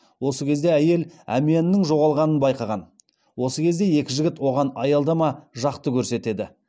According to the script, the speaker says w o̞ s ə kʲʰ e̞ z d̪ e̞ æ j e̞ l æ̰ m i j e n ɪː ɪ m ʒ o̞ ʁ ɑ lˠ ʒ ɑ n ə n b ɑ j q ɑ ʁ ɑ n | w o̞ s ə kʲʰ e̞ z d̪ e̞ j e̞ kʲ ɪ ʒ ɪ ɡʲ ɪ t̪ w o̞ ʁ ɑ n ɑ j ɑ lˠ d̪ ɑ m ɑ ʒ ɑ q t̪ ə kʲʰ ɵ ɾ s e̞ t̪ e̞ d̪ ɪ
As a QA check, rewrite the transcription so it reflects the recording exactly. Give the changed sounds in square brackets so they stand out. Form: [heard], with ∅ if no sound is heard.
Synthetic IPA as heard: w o̞ s ə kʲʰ e̞ z d̪ e̞ æ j e̞ l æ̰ m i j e n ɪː ɪ [ŋ] ʒ o̞ ʁ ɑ lˠ [ʁ] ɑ n ə n b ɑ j q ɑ ʁ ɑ n | w o̞ s ə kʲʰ e̞ z d̪ e̞ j e̞ kʲ ɪ ʒ ɪ ɡʲ ɪ t̪ w o̞ ʁ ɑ n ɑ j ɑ lˠ d̪ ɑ m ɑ ʒ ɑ q t̪ ə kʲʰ ɵ ɾ s e̞ t̪ e̞ d̪ ɪ